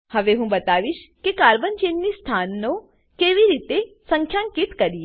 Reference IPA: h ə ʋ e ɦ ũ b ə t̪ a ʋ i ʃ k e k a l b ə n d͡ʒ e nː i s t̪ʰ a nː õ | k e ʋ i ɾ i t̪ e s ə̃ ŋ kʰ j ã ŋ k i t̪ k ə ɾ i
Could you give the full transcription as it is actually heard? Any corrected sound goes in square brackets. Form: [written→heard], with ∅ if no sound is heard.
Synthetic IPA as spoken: h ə ʋ e ɦ ũ b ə t̪ a ʋ i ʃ k e k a [l→ɾ] b ə n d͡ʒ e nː i s t̪ʰ a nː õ | k e ʋ i ɾ i t̪ e s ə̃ ŋ kʰ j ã ŋ k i t̪ k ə ɾ i